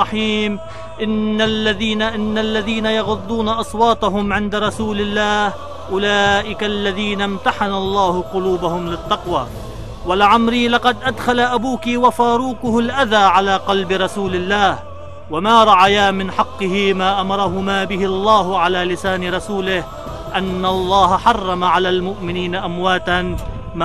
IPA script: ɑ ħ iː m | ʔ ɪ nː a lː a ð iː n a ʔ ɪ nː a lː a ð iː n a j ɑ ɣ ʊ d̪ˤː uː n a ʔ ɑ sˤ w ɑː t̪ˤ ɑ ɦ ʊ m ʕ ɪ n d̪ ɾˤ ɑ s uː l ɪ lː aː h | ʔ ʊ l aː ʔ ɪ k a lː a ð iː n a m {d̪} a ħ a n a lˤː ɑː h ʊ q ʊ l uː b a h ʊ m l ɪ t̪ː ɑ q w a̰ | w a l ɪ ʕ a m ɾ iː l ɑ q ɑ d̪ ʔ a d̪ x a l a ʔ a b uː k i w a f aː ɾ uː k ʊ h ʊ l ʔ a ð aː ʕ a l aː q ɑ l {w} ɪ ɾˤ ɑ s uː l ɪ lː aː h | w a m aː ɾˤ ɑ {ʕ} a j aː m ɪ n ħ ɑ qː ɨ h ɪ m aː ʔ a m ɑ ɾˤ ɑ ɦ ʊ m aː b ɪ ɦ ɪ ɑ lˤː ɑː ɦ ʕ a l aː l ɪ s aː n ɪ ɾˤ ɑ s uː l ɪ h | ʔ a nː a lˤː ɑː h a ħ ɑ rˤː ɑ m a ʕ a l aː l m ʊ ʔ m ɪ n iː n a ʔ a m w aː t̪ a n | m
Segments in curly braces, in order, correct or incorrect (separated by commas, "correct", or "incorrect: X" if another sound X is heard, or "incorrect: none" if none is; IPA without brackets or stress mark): incorrect: t̪, incorrect: b, correct